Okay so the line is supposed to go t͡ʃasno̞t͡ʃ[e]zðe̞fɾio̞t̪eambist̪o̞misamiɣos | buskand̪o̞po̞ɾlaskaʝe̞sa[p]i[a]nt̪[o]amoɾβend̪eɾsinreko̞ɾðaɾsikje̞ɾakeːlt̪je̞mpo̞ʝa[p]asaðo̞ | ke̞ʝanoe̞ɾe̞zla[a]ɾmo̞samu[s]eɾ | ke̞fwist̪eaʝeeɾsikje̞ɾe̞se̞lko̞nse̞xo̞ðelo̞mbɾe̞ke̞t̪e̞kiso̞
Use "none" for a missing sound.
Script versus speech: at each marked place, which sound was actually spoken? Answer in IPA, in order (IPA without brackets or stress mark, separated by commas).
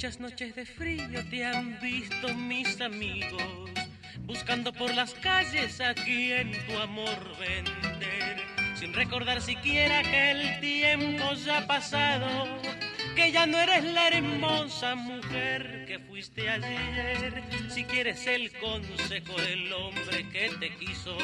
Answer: e, k, e, u, p, e, x